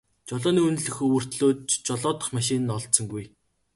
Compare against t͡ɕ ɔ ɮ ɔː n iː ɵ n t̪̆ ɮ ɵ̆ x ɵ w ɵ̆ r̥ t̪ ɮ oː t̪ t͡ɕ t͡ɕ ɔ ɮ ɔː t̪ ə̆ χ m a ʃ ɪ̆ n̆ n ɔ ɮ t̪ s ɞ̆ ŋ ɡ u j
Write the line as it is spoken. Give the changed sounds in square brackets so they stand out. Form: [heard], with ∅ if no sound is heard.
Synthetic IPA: t͡ɕ ɔ ɮ ɔː n iː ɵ n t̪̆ ɮ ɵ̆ x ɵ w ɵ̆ r̥ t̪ ɮ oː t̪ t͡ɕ t͡ɕ ɔ ɮ ɔː t̪ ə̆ χ m a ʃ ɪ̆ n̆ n ɔ ɮ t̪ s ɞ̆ ŋ ɡ u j